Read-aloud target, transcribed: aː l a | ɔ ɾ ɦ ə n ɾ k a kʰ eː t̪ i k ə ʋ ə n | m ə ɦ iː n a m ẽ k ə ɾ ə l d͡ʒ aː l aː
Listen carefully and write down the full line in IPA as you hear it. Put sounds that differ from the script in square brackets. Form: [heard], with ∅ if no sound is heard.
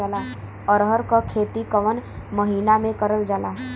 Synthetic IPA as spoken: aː l a | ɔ ɾ ɦ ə [∅] ɾ k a kʰ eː t̪ i k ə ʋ ə n | m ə ɦ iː n a m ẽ k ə ɾ ə l d͡ʒ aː l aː